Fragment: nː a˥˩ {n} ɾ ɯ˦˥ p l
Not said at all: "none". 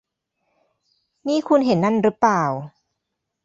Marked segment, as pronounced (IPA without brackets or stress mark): n